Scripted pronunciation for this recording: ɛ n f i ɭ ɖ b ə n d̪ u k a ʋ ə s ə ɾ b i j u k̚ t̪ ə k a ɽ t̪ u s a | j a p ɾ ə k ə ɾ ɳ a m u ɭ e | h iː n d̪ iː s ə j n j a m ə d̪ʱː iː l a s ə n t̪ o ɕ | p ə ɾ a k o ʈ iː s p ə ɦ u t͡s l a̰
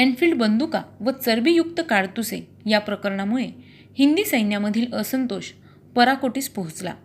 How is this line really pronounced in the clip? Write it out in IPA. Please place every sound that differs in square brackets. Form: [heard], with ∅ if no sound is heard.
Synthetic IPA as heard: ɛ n f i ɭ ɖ b ə n d̪ u k a ʋ ə [t͡s] ə ɾ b i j u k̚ t̪ ə k a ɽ t̪ u s [e] | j a p ɾ ə k ə ɾ ɳ a m u ɭ e | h [i] n d̪ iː s ə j n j a m ə [d̪ʱ] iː l [ə] s ə n t̪ o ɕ | p ə ɾ a k o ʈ iː s p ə ɦ u t͡s l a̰